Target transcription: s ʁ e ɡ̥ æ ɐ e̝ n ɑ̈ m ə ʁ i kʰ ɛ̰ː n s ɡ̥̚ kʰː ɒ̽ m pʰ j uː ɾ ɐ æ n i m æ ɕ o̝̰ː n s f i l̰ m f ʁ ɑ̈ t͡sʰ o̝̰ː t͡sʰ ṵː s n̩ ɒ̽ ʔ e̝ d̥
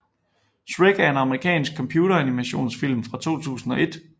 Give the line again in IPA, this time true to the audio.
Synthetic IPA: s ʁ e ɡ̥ æ ɐ e̝ n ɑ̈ m ə ʁ i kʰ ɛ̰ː n s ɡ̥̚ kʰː ɒ̽ m pʰ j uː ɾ ɐ æ n i m æ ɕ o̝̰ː n s f i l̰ m f ʁ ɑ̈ t͡sʰ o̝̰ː t͡sʰ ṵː s n̩ ɒ̽ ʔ e̝ d̥